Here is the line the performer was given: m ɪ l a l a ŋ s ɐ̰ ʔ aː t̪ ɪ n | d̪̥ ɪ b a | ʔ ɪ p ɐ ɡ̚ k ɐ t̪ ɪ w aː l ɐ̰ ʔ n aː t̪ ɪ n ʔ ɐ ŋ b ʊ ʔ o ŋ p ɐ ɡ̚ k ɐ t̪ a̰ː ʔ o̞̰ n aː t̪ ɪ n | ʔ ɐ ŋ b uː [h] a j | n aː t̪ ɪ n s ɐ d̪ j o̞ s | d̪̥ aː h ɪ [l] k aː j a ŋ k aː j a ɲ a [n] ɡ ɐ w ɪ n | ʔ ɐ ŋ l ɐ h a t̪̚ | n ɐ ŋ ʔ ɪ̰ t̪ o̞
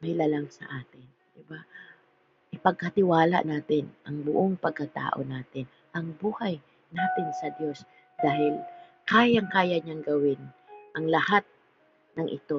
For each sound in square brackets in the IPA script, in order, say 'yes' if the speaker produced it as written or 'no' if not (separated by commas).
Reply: yes, yes, no